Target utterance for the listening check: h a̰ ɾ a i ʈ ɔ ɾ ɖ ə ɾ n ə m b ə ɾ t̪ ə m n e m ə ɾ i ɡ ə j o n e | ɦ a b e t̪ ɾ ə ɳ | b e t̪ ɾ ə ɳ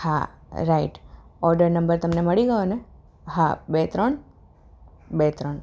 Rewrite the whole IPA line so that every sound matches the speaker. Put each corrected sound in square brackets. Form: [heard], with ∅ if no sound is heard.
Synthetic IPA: h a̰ ɾ a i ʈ ɔ ɾ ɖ ə ɾ n ə m b ə ɾ t̪ ə m n e m ə [ɭ] i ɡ ə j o n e | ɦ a b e t̪ ɾ ə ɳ | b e t̪ ɾ ə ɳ